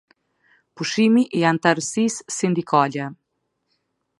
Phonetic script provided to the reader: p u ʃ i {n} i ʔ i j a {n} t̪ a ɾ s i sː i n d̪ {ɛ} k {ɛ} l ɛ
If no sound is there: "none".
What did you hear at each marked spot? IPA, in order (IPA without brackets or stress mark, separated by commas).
m, n, i, a